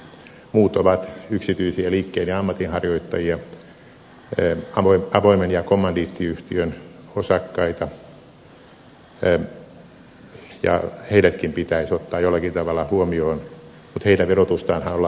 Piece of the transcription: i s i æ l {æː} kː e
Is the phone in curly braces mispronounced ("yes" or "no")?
yes